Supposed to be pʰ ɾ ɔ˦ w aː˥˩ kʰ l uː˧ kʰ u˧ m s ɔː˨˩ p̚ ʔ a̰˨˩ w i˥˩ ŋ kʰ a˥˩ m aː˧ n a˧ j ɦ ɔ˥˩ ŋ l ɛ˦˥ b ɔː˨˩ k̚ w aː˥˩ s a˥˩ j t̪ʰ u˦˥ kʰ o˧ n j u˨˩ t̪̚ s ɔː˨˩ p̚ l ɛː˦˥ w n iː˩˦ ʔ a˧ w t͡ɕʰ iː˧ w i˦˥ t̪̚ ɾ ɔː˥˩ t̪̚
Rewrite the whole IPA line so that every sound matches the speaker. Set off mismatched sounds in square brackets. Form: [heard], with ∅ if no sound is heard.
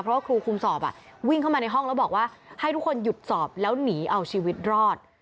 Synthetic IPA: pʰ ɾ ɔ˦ w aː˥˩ kʰ [ɾ] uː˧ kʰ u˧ m s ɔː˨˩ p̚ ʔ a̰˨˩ w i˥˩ ŋ kʰ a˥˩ m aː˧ n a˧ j ɦ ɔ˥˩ ŋ l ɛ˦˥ b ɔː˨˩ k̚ w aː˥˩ [h] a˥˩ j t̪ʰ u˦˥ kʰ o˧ n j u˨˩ t̪̚ s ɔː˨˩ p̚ l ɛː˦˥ w n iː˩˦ ʔ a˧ w t͡ɕʰ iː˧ w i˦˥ t̪̚ ɾ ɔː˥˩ t̪̚